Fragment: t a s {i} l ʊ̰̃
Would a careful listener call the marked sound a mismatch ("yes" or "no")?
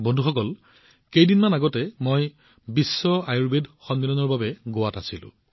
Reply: no